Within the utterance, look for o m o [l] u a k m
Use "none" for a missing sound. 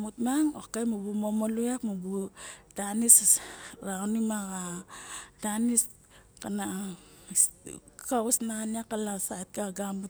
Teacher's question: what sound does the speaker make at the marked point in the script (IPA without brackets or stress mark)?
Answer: l